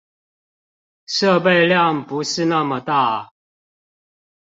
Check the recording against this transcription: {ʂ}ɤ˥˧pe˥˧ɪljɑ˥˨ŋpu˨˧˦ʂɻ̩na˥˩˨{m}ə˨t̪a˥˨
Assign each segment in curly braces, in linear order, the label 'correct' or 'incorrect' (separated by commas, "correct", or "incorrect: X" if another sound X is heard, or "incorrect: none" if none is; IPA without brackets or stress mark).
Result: correct, correct